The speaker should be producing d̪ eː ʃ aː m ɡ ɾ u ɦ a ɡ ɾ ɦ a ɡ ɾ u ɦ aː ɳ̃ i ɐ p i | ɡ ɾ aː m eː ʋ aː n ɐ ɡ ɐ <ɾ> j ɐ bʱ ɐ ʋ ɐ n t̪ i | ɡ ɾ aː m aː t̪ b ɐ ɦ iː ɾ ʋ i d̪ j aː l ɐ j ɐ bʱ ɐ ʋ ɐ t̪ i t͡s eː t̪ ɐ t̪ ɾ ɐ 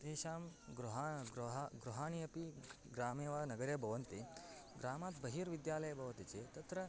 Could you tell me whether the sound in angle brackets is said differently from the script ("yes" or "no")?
no